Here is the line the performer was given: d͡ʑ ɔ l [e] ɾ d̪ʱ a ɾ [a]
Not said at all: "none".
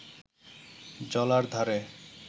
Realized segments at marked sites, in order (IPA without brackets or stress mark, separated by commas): a, e